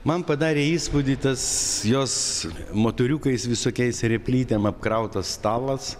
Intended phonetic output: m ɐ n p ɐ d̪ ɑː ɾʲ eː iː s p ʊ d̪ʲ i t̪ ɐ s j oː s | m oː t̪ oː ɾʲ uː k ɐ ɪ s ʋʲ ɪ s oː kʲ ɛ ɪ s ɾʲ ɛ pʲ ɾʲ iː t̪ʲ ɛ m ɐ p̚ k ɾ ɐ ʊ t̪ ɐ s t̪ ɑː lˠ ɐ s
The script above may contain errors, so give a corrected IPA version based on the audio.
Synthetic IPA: m ɐ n p ɐ d̪ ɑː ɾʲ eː iː s p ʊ d̪ʲ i t̪ ɐ s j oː s | m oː t̪ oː ɾʲ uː k ɐ ɪ s ʋʲ ɪ s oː kʲ ɛ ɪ s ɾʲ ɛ pʲ lʲ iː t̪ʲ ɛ m ɐ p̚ k ɾ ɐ ʊ t̪ ɐ s t̪ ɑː lˠ ɐ s